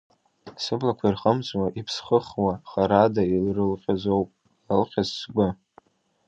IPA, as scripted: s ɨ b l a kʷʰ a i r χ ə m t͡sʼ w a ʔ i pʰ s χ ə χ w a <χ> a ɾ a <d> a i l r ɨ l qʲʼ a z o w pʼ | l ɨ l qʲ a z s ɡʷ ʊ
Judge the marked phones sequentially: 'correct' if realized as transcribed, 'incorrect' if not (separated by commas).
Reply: correct, correct